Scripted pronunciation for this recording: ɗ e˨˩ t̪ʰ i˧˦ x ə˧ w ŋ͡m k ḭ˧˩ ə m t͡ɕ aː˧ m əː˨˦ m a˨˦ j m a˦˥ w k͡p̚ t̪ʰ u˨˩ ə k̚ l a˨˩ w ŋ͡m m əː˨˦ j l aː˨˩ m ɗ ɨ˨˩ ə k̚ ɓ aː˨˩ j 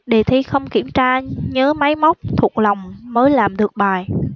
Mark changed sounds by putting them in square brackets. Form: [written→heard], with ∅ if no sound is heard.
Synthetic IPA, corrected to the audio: ɗ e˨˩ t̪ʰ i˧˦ x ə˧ w ŋ͡m k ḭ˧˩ ə m t͡ɕ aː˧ [m→ɲ] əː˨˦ m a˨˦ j m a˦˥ w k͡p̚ t̪ʰ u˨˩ ə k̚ l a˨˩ w ŋ͡m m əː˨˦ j l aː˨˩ m ɗ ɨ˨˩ ə k̚ ɓ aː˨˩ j